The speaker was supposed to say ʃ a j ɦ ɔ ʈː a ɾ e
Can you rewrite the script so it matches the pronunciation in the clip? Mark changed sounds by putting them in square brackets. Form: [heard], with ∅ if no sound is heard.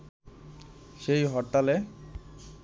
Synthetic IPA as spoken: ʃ [e] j ɦ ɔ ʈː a [l] e